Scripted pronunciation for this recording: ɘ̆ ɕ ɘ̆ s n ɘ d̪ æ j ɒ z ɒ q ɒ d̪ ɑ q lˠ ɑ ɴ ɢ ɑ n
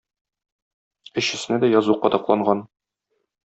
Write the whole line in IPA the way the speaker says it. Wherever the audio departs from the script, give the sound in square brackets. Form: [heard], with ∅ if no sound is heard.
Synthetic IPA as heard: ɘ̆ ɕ ɘ̆ s n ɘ d̪ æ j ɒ z [u] q ɒ d̪ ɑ q lˠ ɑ ɴ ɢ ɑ n